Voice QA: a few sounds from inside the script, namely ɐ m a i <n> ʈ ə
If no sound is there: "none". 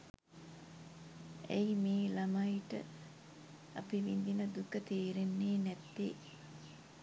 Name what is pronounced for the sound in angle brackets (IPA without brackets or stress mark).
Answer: none